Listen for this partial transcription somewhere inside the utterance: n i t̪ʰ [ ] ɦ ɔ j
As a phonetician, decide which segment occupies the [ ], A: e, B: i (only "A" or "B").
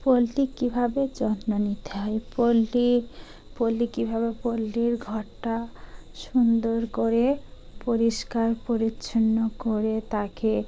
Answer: A